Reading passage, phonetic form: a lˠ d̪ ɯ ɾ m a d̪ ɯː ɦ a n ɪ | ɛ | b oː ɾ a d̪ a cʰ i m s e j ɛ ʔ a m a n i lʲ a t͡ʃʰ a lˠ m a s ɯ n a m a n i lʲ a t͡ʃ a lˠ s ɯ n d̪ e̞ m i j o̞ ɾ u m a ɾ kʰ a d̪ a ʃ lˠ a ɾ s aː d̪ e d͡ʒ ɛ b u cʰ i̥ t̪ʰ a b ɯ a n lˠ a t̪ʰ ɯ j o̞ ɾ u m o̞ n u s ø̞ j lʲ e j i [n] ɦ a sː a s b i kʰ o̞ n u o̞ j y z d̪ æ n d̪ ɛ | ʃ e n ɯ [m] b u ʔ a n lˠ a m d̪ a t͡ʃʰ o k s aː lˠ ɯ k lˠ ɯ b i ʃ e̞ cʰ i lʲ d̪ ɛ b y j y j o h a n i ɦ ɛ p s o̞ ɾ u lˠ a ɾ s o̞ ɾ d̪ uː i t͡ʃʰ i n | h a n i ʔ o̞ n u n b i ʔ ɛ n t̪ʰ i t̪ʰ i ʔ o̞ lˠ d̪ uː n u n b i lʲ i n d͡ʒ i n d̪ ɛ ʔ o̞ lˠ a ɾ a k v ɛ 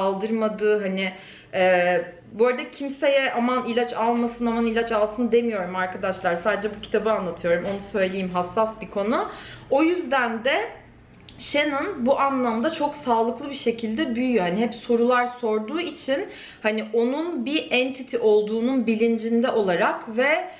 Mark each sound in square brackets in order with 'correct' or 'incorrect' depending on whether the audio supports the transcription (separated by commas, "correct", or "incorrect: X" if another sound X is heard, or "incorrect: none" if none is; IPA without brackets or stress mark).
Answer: incorrect: m, incorrect: n